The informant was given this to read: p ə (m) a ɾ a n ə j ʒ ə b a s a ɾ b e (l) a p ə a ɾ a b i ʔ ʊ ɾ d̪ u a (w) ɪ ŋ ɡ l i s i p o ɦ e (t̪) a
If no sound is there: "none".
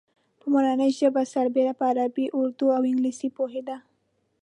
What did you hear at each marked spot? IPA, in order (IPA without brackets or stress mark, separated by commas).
m, ɾ, w, d̪